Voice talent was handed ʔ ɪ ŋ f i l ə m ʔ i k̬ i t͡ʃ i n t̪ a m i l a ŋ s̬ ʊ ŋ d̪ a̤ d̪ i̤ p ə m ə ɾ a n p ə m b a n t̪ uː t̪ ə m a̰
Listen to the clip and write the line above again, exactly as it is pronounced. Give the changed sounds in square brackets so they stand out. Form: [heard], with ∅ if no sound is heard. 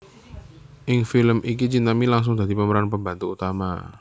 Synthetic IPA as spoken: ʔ ɪ ŋ f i l ə m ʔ i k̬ i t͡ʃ i n t̪ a m i l a ŋ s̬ ʊ ŋ d̪ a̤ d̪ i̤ p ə m ə ɾ a n p ə m b a n t̪ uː t̪ [a] m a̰

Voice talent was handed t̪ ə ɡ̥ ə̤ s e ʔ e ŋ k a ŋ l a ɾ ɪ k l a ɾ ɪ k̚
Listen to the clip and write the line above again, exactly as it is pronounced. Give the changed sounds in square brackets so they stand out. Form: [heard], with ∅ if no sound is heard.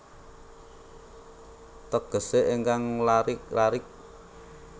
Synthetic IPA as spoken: t̪ ə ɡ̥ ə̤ s e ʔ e ŋ k a ŋ l a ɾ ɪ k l a ɾ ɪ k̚

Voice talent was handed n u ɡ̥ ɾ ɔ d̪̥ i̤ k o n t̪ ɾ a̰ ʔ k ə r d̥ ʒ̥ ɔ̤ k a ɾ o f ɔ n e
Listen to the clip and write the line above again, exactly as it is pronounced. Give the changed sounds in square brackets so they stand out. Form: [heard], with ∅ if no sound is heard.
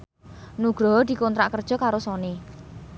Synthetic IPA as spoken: n u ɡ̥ ɾ ɔ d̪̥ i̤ k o n t̪ ɾ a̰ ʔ k ə r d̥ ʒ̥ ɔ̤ k a ɾ o [s] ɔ n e

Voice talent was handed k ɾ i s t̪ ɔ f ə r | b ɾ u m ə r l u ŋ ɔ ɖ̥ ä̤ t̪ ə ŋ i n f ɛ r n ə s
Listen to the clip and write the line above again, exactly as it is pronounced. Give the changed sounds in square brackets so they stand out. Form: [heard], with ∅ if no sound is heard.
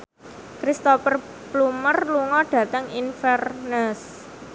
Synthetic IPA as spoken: k ɾ i s t̪ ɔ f ə r | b [l] u m ə r l u ŋ ɔ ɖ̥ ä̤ t̪ ə ŋ i n f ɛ r n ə s

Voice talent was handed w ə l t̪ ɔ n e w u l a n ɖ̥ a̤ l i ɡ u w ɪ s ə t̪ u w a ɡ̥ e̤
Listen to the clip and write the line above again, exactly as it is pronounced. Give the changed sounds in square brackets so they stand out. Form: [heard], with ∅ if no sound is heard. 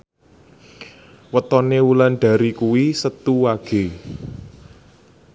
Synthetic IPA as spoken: w ə [∅] t̪ ɔ n e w u l a n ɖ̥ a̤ [ɾ] i [k] u w [i] s ə t̪ u w a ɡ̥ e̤

